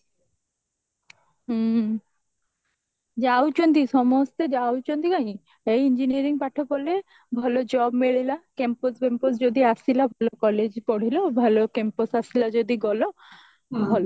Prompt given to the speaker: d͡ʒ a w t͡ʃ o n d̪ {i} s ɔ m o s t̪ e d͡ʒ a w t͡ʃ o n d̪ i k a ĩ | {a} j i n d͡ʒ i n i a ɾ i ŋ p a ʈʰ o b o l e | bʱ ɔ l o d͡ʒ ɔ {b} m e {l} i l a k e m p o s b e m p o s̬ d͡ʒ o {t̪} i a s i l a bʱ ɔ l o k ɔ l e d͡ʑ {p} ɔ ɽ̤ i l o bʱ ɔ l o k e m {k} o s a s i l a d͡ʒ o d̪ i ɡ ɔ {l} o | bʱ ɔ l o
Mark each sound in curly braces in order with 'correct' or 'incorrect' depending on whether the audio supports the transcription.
correct, incorrect, correct, incorrect, incorrect, correct, incorrect, correct

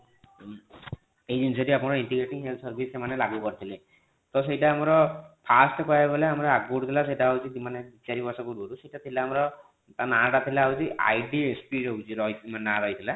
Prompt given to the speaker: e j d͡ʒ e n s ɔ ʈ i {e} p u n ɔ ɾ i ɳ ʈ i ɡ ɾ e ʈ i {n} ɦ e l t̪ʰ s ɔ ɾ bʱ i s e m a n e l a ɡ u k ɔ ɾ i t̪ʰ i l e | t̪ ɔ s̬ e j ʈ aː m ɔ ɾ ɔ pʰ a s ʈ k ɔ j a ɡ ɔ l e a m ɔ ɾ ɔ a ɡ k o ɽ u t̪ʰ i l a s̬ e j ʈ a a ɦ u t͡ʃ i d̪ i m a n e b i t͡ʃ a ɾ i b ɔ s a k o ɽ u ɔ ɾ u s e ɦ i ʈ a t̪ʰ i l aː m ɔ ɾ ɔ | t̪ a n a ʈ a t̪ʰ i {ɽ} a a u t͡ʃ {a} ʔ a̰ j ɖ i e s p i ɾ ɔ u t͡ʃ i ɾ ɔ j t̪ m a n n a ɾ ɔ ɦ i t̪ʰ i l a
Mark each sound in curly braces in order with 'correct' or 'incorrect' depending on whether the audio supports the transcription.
incorrect, incorrect, incorrect, incorrect

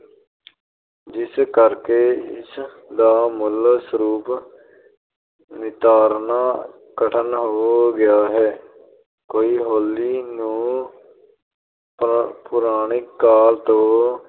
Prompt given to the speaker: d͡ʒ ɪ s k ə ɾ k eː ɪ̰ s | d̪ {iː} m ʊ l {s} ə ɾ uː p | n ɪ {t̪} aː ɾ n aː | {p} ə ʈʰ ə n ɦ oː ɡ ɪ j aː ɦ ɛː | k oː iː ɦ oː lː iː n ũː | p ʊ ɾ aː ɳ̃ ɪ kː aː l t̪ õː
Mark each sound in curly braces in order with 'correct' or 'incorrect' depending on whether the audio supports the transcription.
incorrect, correct, correct, incorrect

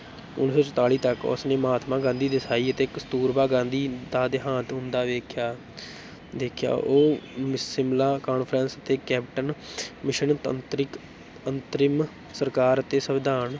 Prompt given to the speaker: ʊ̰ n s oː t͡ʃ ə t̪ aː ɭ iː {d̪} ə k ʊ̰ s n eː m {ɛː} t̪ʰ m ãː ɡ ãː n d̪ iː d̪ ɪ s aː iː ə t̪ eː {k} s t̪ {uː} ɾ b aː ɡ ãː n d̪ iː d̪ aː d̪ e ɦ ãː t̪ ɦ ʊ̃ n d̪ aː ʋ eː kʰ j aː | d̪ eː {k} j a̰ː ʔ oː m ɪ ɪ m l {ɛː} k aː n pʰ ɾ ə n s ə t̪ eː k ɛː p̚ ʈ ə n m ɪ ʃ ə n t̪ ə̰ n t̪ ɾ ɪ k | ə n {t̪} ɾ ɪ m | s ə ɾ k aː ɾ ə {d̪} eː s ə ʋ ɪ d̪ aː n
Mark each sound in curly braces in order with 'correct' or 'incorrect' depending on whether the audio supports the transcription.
incorrect, incorrect, correct, correct, incorrect, incorrect, correct, incorrect

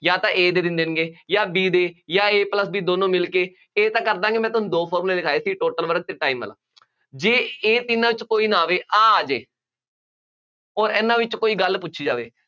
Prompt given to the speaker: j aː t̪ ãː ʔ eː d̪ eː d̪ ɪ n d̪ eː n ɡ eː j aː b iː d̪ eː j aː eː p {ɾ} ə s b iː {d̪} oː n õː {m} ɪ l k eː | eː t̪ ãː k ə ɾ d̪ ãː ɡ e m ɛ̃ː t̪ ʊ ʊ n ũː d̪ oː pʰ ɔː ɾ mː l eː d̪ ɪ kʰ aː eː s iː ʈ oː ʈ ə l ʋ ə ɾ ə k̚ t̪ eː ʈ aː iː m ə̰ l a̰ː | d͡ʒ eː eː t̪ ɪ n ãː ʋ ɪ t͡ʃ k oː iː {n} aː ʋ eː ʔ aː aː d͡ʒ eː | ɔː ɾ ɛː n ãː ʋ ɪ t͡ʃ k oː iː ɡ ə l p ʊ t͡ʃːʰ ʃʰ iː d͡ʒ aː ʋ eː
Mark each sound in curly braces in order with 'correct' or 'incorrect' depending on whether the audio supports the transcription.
incorrect, correct, correct, correct

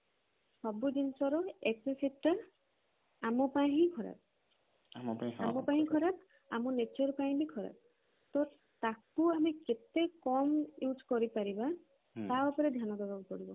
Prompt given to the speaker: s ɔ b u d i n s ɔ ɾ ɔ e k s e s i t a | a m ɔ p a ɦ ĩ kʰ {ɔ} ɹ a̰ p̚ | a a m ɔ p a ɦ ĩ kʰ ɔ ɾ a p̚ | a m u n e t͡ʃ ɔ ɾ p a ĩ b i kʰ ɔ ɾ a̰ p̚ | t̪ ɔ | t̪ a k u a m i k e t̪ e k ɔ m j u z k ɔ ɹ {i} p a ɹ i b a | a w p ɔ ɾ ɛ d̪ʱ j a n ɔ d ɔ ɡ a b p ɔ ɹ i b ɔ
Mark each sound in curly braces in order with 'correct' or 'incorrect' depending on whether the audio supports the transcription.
correct, correct

